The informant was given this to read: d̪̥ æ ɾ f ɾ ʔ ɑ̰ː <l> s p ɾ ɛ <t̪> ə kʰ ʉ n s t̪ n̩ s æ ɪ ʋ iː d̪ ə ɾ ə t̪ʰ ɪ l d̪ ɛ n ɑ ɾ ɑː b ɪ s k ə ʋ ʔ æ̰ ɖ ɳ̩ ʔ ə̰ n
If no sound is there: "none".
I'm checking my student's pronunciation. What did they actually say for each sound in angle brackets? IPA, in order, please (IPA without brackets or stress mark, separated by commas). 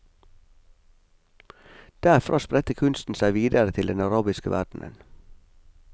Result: none, t̪